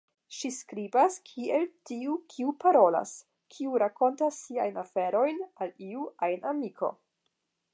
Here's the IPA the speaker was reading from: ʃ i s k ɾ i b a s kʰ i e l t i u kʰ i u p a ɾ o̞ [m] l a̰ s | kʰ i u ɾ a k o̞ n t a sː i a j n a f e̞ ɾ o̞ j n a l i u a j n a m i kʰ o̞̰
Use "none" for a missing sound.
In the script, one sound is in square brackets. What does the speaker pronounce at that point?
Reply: none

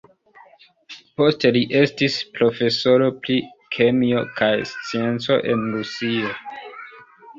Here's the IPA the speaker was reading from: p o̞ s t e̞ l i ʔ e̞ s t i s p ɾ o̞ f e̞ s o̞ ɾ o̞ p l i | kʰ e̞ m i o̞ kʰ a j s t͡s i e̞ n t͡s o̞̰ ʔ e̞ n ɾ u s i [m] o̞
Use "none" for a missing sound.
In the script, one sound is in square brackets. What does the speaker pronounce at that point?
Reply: none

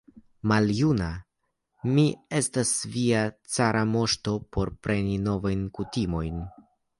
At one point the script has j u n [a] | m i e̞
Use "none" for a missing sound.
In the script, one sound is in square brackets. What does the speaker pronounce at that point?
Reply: a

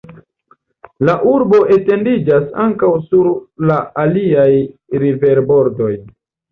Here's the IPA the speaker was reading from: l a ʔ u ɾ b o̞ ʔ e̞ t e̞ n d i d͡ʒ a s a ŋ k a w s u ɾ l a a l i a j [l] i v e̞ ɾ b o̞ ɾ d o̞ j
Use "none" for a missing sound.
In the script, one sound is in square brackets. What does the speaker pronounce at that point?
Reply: ɾ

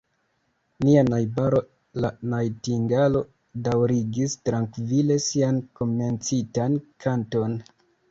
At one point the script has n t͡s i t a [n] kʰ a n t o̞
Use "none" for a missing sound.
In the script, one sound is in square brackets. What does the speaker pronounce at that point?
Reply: n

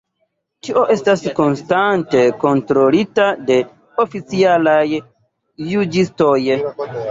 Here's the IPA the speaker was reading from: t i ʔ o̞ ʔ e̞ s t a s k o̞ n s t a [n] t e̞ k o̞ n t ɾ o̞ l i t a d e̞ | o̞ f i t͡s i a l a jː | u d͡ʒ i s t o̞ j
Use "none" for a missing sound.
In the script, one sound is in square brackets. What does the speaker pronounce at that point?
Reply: n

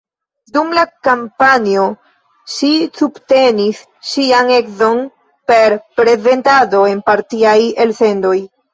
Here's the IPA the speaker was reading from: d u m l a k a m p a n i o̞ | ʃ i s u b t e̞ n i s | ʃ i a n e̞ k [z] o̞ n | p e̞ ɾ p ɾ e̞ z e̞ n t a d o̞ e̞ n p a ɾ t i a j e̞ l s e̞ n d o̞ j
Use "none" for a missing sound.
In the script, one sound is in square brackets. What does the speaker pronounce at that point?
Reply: z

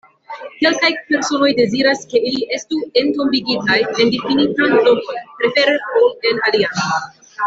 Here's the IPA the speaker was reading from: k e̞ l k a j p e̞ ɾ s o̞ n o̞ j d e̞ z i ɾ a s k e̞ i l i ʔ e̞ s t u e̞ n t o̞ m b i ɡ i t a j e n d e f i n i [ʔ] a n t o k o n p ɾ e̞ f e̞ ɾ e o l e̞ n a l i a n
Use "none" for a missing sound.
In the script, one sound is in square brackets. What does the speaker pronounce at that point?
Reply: t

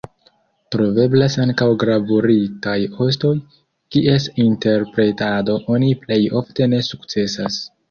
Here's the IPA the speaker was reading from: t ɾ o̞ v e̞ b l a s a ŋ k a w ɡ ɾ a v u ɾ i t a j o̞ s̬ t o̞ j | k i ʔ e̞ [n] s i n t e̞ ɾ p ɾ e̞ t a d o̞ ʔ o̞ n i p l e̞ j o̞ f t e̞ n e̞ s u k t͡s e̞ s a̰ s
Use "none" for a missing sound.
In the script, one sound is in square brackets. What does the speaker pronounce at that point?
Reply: none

